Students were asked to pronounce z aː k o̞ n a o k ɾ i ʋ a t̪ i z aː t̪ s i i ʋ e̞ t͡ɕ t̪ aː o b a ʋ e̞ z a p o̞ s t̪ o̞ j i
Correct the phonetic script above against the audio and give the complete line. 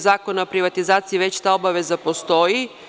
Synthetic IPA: z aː k o̞ n a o p ɾ i ʋ a t̪ i z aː t̪ s i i ʋ e̞ t͡ɕ t̪ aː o b a ʋ e̞ z a p o̞ s t̪ o̞ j i